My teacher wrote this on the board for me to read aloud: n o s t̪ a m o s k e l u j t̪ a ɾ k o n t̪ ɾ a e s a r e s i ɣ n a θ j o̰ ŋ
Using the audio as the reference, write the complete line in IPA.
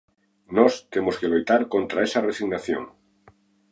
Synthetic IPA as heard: n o s t̪ e m o s k e l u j t̪ a ɾ k o n t̪ ɾ a e s a r e s i ɣ n a θ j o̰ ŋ